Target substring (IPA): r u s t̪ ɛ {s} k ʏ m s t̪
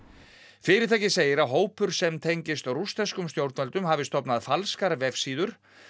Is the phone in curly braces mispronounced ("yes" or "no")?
no